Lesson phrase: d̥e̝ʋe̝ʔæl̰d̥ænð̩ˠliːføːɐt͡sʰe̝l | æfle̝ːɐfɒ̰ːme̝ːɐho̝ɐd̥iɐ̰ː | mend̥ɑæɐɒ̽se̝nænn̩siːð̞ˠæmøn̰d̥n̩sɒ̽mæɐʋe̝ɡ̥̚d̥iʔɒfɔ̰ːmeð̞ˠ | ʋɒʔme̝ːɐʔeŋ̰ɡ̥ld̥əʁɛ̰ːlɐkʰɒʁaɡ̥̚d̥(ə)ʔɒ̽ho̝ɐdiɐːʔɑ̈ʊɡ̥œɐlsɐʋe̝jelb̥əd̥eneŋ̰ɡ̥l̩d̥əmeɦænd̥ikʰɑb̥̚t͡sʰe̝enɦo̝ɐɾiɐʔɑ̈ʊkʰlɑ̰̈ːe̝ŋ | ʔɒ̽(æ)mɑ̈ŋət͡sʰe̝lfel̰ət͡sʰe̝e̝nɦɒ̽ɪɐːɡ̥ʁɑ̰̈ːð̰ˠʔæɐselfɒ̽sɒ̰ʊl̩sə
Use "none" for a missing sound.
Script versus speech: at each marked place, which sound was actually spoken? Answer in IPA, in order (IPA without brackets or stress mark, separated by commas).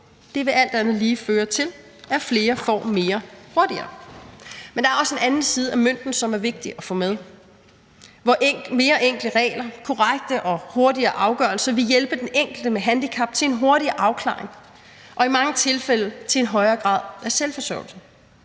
ə, i